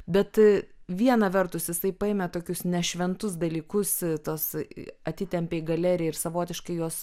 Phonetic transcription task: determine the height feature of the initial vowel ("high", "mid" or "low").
mid